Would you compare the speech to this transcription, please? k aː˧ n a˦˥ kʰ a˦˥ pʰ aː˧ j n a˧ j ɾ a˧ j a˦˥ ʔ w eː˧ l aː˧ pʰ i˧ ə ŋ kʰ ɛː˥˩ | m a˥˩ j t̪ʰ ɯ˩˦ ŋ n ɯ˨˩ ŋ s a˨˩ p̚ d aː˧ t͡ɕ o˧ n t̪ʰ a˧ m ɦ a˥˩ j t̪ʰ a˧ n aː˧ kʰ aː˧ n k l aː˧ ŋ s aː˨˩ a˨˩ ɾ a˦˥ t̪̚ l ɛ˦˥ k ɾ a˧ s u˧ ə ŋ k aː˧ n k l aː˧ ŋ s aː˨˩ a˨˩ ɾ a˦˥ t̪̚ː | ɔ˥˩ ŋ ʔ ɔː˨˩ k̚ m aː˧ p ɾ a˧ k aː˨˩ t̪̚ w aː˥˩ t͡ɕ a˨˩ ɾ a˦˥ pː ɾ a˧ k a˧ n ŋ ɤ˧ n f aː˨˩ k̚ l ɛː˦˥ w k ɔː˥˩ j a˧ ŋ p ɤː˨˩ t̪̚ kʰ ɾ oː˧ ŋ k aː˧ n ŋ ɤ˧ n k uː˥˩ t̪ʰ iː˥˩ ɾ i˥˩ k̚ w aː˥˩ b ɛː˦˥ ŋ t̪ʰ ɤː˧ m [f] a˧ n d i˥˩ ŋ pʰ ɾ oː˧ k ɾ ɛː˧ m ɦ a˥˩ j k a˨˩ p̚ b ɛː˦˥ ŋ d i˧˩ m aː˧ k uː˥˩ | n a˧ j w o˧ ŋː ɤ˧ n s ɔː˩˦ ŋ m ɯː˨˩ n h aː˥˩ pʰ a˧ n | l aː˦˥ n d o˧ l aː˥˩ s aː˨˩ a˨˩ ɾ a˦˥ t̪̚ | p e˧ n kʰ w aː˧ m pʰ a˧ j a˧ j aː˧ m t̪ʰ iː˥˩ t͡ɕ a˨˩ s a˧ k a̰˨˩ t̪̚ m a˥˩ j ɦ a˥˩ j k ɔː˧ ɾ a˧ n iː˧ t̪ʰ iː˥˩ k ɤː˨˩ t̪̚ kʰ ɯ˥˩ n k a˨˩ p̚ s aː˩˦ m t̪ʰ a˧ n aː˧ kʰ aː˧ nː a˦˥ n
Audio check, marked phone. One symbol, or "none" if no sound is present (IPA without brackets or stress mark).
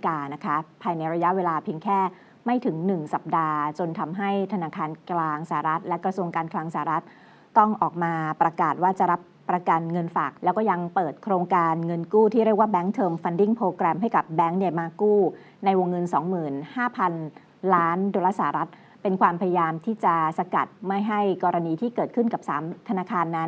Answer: f